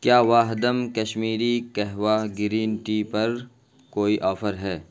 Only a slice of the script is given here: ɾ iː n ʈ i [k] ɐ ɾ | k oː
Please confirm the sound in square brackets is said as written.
no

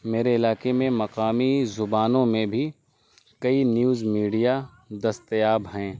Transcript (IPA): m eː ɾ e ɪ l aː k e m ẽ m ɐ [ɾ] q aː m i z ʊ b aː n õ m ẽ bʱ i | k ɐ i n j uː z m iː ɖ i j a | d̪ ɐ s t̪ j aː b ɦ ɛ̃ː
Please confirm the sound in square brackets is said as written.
no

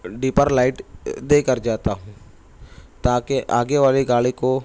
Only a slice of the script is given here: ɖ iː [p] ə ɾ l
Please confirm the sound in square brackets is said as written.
yes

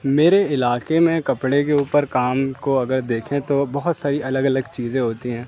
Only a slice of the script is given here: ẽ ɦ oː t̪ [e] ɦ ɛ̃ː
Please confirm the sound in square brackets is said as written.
no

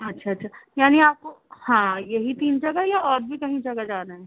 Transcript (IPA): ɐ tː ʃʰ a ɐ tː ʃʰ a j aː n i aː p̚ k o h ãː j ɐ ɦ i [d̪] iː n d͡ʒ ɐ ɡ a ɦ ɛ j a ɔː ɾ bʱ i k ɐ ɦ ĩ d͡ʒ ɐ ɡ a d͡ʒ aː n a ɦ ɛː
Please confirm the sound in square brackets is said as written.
no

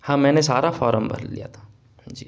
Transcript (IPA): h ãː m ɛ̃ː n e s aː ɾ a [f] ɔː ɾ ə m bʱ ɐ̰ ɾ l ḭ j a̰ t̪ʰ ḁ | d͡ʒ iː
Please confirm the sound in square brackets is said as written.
yes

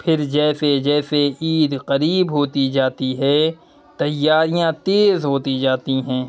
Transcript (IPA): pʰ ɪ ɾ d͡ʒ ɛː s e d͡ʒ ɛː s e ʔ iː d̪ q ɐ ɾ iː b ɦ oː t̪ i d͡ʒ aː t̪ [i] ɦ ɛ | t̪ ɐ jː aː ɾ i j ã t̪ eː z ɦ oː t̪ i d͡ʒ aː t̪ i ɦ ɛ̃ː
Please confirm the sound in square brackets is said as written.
yes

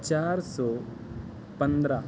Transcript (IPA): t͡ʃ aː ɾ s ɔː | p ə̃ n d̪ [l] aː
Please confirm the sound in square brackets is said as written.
no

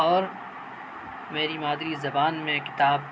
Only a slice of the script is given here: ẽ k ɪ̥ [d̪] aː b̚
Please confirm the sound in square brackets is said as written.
no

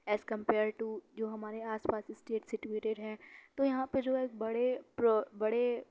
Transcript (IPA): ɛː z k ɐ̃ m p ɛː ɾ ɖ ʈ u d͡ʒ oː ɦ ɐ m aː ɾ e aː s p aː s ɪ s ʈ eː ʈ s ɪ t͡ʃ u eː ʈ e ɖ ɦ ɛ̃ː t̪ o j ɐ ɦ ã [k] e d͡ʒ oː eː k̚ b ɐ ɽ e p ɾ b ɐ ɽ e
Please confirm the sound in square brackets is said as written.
no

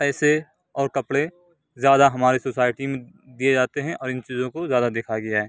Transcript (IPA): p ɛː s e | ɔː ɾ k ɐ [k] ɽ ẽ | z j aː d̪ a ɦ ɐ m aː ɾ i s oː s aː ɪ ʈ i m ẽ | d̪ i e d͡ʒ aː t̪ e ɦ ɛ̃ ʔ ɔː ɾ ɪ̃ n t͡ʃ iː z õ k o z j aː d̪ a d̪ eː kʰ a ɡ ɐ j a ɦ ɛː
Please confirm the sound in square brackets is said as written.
no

